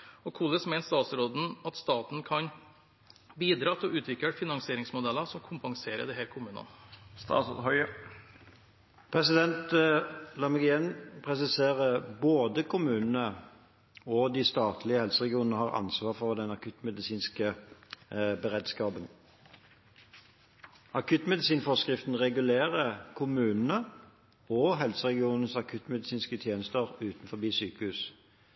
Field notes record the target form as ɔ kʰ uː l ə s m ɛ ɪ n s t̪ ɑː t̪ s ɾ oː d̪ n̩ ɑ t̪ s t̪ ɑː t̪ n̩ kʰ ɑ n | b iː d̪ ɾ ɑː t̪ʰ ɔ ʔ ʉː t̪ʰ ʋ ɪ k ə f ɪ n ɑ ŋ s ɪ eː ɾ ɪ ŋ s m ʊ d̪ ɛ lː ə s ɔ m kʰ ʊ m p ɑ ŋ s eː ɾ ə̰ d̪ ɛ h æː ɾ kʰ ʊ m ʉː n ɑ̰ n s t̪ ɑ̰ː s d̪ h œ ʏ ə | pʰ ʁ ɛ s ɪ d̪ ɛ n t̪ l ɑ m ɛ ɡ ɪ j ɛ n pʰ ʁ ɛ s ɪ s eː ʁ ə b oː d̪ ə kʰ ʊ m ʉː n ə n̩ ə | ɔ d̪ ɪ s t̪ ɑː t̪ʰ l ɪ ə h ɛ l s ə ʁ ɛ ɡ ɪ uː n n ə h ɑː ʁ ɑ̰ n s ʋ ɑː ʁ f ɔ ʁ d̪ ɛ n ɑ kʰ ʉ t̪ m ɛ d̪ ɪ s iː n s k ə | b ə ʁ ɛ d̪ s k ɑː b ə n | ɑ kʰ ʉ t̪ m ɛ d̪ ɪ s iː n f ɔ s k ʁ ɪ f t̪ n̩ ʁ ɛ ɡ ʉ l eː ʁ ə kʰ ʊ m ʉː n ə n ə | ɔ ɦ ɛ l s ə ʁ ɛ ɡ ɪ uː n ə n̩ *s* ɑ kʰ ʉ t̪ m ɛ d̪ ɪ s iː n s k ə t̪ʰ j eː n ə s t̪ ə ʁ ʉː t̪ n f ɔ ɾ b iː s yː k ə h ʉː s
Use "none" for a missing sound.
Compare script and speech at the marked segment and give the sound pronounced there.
s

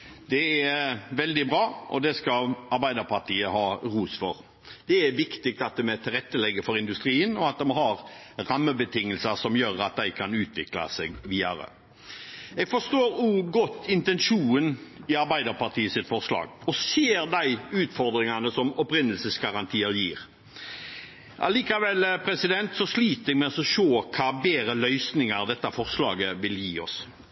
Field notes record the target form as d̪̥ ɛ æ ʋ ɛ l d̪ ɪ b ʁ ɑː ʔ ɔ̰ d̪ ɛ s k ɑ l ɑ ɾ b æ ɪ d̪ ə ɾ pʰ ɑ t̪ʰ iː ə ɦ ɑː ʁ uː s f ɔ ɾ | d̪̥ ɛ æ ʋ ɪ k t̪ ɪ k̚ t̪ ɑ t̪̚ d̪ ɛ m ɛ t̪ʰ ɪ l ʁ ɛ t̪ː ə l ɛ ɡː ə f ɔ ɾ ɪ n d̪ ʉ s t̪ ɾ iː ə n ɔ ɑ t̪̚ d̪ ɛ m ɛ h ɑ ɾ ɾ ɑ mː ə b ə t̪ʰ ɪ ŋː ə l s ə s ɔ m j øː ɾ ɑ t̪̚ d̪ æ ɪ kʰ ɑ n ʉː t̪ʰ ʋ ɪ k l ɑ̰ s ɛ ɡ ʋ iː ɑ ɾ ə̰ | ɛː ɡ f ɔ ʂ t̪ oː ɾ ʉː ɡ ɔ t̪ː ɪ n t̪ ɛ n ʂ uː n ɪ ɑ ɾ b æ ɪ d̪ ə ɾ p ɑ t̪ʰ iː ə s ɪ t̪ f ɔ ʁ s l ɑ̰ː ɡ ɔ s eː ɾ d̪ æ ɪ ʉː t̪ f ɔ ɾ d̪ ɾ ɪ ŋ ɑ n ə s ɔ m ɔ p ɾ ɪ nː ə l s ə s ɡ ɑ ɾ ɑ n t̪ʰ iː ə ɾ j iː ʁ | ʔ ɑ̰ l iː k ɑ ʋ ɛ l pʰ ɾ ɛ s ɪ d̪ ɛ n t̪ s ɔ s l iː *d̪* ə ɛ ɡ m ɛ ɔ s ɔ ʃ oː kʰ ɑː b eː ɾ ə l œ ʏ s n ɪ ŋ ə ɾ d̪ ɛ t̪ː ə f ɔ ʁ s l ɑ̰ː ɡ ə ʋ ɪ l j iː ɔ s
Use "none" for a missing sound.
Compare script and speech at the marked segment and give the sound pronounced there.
t̪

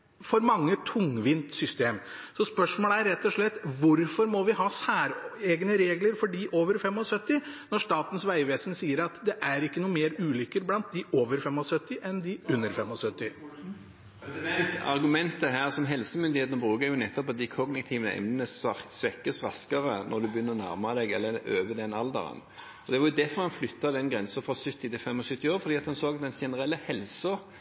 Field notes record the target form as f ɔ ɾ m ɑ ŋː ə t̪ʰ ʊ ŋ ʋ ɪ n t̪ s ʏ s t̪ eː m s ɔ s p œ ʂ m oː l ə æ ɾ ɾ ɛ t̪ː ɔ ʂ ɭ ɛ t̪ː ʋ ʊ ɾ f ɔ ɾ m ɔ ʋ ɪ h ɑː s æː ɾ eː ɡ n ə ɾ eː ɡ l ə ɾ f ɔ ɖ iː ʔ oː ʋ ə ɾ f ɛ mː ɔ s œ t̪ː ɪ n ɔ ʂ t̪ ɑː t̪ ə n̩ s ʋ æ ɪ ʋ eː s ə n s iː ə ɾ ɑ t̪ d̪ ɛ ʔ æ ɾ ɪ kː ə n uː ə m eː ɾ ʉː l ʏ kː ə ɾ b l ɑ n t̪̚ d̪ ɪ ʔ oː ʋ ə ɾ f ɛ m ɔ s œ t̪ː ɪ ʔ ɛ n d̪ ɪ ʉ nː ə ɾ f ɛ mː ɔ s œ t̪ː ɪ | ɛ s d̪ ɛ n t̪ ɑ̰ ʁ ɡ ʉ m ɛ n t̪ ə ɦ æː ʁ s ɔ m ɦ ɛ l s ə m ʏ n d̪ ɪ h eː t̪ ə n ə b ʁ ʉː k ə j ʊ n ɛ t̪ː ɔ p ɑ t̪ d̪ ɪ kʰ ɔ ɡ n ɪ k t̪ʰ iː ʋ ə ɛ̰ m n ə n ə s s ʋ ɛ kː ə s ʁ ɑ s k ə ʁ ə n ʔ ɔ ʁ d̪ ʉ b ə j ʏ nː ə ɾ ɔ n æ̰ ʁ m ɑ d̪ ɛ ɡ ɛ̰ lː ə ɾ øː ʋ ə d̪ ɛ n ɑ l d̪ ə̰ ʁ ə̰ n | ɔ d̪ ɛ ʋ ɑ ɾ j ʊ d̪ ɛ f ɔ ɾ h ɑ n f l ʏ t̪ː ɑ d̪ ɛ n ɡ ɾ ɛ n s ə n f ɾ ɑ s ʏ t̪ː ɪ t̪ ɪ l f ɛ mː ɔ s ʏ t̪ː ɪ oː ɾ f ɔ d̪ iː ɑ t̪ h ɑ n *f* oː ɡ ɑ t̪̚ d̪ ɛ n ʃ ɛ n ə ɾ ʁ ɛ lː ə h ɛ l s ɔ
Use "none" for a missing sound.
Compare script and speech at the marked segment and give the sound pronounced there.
s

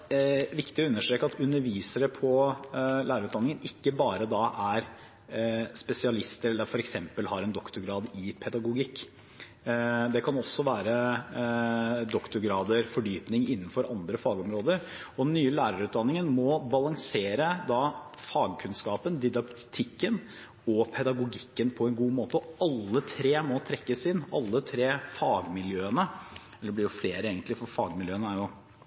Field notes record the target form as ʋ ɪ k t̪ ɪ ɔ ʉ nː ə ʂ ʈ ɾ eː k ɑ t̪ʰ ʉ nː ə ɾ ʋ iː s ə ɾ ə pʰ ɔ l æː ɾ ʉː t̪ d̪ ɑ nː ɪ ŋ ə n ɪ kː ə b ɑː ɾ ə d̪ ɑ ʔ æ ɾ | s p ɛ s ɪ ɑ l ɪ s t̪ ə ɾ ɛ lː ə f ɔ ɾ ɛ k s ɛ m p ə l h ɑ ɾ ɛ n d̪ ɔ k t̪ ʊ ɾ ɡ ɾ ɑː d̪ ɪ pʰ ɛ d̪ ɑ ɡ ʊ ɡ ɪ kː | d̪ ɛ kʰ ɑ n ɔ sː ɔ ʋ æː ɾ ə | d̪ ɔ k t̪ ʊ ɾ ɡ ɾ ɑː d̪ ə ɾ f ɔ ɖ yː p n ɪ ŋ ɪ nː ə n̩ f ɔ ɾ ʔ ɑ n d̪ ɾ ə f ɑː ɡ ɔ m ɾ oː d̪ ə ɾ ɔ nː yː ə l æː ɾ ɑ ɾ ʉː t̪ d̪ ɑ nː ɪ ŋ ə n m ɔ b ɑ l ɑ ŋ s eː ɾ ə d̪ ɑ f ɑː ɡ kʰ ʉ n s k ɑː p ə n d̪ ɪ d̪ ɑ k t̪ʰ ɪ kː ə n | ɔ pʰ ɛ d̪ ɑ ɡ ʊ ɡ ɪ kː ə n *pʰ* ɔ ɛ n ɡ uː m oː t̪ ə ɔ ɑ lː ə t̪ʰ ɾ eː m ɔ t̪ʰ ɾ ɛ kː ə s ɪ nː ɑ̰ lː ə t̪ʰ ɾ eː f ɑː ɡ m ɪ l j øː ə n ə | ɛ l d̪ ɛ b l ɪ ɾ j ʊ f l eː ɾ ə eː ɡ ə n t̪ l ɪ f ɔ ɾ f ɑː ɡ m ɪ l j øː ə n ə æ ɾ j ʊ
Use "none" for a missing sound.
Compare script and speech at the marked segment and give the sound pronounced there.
pʰ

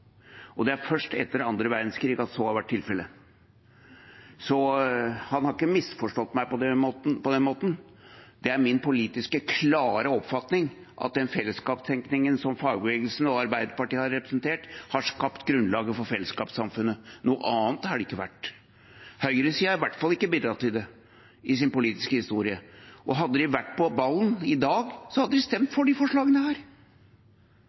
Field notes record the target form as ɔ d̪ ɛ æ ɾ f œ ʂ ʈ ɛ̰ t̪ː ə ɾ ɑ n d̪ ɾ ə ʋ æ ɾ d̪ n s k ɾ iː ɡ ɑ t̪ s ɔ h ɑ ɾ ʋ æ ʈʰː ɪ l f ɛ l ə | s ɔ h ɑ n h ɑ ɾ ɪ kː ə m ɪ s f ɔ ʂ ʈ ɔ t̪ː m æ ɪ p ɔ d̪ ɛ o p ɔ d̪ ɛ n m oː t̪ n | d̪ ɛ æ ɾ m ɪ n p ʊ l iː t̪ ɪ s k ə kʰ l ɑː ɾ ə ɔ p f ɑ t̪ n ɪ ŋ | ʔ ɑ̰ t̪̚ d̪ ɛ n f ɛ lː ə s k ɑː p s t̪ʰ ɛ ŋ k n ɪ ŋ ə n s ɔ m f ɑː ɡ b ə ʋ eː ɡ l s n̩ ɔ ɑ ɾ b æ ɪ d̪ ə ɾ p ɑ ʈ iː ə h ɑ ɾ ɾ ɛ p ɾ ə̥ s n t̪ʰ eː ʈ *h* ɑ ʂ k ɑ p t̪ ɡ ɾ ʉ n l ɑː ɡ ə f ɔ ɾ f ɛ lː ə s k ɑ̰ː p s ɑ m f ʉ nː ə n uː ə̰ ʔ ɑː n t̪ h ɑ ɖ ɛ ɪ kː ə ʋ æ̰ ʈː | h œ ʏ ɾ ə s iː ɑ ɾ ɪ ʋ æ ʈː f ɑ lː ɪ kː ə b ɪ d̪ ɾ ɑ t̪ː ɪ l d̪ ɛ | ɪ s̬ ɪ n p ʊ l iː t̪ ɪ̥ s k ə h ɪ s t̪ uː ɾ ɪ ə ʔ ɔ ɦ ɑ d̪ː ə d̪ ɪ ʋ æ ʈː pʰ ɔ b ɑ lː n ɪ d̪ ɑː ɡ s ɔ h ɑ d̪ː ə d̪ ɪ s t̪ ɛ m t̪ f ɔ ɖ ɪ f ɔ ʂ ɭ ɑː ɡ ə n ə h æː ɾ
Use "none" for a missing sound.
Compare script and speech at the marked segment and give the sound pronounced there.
h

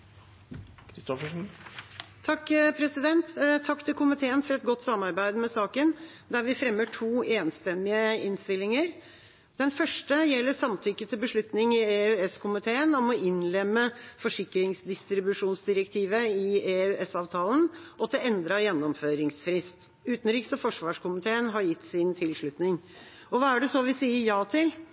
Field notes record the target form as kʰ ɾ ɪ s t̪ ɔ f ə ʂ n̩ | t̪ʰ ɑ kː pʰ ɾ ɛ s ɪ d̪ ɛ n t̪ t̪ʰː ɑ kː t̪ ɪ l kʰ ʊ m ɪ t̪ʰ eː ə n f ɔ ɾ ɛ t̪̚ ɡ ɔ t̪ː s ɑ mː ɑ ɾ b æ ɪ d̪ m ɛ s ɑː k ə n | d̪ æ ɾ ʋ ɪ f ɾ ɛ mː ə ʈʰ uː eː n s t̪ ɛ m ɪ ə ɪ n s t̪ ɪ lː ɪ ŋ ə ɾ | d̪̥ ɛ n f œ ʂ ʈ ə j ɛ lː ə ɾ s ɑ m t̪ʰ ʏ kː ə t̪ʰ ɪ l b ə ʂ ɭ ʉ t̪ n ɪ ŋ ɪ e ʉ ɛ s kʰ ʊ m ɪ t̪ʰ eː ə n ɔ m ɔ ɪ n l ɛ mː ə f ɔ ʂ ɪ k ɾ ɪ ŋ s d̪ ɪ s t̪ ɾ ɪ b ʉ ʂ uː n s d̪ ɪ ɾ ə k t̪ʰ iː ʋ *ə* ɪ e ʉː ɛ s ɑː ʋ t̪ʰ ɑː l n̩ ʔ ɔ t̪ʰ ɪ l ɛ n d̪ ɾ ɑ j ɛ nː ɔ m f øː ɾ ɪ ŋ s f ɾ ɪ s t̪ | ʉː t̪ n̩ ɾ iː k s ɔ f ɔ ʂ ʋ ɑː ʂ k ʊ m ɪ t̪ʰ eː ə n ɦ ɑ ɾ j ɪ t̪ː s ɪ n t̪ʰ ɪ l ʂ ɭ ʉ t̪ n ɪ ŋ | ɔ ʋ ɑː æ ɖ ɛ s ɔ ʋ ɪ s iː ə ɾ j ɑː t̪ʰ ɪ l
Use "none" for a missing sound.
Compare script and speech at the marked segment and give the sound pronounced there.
ə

